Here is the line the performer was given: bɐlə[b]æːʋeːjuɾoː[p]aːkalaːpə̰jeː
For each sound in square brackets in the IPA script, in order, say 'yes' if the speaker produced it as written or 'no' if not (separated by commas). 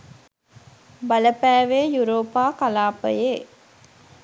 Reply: no, yes